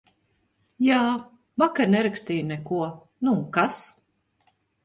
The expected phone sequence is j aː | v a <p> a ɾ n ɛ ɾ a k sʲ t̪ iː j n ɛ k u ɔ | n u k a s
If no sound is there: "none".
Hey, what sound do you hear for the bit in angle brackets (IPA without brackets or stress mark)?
k